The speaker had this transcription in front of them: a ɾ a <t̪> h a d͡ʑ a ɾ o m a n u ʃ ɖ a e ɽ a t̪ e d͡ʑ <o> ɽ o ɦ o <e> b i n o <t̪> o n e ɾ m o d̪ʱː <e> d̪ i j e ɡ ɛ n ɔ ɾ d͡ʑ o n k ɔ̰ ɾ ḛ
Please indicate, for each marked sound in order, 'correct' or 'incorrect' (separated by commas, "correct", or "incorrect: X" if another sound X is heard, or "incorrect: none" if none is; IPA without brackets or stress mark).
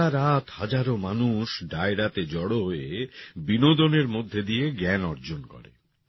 correct, incorrect: ɔ, correct, incorrect: d̪, correct